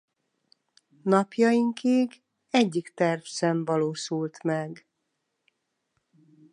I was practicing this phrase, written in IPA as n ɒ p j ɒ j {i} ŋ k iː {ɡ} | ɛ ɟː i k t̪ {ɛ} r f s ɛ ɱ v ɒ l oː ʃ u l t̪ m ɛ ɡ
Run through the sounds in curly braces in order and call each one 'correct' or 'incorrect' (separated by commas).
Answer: correct, correct, correct